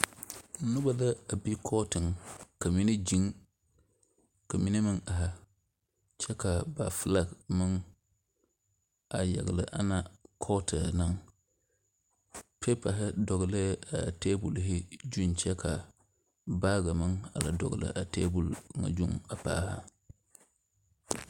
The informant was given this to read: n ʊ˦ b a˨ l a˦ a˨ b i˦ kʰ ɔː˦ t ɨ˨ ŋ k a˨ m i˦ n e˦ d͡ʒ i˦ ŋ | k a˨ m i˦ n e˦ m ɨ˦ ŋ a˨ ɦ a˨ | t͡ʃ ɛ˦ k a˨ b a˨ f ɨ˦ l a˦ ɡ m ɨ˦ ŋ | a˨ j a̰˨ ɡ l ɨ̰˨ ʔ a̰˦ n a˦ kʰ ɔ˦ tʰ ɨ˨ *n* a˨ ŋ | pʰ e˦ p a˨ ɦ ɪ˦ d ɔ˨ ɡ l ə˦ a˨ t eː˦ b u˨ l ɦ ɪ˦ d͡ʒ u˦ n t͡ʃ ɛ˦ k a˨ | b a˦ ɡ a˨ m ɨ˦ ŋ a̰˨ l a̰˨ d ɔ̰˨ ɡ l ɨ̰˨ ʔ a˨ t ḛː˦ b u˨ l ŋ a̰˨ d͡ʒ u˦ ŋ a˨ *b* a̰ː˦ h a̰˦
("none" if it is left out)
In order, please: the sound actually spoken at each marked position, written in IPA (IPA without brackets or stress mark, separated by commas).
n, p